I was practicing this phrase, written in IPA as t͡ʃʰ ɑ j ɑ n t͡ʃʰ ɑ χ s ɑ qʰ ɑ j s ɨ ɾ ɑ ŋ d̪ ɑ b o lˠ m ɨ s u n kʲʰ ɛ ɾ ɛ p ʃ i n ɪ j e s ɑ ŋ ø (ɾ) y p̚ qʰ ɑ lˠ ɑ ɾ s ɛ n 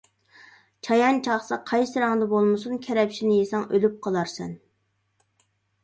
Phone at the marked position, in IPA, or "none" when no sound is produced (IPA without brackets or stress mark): l